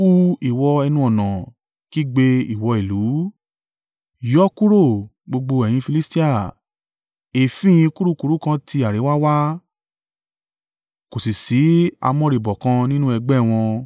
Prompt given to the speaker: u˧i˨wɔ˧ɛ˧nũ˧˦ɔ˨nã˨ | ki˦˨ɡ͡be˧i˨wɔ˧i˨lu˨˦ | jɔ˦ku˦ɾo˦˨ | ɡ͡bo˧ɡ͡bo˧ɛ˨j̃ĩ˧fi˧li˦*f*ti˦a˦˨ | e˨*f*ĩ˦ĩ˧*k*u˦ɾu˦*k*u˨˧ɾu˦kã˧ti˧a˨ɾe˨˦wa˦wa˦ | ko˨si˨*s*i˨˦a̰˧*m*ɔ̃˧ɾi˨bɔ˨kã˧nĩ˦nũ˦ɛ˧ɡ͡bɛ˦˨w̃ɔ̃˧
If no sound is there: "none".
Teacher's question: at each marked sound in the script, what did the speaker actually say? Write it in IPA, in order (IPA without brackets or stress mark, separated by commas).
s, f, k, k, s, m